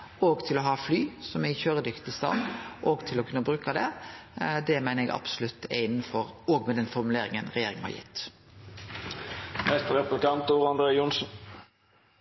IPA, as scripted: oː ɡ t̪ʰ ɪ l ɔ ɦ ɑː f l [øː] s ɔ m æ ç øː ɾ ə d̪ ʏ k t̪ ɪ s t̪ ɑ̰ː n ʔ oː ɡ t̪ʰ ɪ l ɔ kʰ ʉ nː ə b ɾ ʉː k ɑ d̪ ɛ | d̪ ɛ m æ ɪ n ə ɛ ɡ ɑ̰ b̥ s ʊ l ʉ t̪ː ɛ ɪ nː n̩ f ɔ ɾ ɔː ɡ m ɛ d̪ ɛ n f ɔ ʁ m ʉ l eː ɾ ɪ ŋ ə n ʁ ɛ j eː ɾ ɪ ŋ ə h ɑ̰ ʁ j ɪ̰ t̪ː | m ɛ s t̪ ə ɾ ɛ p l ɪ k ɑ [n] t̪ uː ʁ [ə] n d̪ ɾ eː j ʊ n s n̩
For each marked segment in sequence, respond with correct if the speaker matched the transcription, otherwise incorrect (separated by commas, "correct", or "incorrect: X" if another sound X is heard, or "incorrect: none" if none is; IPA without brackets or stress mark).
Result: incorrect: yː, correct, incorrect: ɑ